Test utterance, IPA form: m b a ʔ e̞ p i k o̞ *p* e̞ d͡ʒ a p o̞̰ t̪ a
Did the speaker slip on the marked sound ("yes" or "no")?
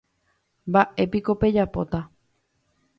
no